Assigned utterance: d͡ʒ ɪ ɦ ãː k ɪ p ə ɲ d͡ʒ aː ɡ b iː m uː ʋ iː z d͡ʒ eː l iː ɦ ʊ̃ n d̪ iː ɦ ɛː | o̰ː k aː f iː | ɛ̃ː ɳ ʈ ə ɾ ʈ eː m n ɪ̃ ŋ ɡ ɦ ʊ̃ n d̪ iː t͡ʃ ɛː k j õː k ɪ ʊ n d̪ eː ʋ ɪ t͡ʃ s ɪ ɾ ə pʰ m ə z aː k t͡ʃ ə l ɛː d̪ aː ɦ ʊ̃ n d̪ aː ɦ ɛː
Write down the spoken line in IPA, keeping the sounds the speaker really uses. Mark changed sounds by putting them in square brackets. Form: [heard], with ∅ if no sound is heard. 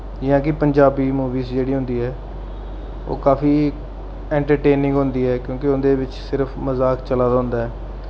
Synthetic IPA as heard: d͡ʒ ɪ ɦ ãː k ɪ p ə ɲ d͡ʒ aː [∅] b iː m uː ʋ iː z d͡ʒ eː [ɽ] iː ɦ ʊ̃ n d̪ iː ɦ ɛː | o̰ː k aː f iː | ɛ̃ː ɳ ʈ ə ɾ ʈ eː [∅] n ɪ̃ ŋ ɡ ɦ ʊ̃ n d̪ iː [∅] ɛː k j õː k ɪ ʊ n d̪ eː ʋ ɪ t͡ʃ s ɪ ɾ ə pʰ m ə z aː k t͡ʃ ə l [aː] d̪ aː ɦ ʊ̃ n d̪ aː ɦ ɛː

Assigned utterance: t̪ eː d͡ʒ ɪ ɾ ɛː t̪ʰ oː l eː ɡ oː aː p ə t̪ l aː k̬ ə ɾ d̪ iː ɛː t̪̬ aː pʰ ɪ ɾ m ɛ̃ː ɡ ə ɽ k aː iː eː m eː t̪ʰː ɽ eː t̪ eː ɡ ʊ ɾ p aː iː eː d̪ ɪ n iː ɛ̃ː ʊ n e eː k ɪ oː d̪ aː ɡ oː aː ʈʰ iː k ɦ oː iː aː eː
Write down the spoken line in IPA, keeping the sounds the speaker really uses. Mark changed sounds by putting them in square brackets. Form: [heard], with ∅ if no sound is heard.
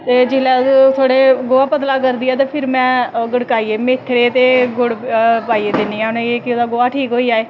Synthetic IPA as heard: t̪ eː d͡ʒ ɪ [l] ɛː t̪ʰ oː [ɽ] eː ɡ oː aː p ə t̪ l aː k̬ ə ɾ d̪ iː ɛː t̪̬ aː pʰ ɪ ɾ m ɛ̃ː ɡ ə ɽ k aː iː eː m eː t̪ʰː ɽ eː t̪ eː ɡ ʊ [ɽ] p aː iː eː d̪ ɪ n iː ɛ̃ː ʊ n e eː k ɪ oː d̪ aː ɡ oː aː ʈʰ iː k ɦ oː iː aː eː

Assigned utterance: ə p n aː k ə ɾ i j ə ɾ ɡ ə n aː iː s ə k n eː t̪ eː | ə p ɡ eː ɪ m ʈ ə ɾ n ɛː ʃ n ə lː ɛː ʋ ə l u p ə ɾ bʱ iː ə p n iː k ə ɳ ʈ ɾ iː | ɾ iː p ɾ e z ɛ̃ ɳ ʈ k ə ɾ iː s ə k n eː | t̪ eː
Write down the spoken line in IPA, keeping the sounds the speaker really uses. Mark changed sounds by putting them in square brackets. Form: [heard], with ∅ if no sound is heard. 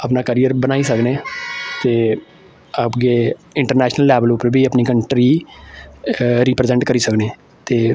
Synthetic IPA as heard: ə p n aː k ə ɾ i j ə ɾ [b] ə n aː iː s ə k n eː t̪ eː | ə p ɡ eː ɪ [ɳ] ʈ ə ɾ n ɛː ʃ n ə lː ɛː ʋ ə l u p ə ɾ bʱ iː ə p n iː k ə ɳ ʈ ɾ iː | ɾ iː p ɾ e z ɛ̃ ɳ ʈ k ə ɾ iː s ə k n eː | t̪ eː

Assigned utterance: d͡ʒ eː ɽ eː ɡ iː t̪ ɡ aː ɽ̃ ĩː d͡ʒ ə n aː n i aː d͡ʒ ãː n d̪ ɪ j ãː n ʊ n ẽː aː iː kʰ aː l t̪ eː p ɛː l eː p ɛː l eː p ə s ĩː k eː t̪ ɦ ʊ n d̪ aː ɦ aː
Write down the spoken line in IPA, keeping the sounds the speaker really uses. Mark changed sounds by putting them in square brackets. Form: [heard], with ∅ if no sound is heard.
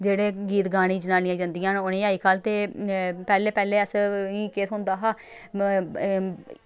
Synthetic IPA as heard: d͡ʒ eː ɽ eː ɡ iː t̪ ɡ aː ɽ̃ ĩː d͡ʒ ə n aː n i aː d͡ʒ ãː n d̪ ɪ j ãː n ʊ n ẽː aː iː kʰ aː l t̪ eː p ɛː l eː p ɛː l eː [∅] ə s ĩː k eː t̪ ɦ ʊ n d̪ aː ɦ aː

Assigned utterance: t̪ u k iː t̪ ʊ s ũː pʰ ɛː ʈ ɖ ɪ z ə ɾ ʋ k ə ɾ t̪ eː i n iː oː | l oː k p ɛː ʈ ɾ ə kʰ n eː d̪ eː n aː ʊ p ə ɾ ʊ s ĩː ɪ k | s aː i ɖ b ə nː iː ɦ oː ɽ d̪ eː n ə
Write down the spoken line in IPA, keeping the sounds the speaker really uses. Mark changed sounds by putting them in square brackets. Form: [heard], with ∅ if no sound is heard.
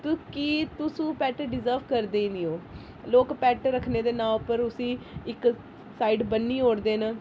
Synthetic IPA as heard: t̪ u k iː t̪ ʊ s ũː [p] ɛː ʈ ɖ ɪ z ə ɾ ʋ k ə ɾ [d̪] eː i n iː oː | l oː k p ɛː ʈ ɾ ə kʰ n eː d̪ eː n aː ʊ p ə ɾ ʊ s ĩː ɪ k | s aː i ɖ b ə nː iː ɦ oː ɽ d̪ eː n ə

